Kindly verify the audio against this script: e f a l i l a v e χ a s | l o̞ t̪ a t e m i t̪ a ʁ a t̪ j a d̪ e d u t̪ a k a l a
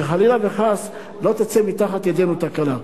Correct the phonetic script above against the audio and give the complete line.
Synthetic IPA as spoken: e χ a l i l a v e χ a s | l o̞ t̪ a t͡s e m i t̪ a χ a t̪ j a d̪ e n u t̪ a k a l a